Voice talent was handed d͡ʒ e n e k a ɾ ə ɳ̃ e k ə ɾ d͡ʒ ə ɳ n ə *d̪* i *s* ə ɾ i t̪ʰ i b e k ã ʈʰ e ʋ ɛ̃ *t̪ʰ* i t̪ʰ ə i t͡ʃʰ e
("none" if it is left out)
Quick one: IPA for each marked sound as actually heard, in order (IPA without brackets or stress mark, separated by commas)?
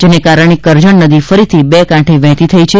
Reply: d̪, f, t̪